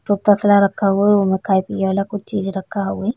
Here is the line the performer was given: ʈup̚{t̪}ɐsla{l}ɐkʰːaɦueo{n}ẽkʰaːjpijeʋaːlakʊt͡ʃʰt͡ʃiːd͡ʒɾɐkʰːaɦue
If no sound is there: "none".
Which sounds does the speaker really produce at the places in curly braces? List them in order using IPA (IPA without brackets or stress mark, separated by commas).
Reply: t̪, ɾ, m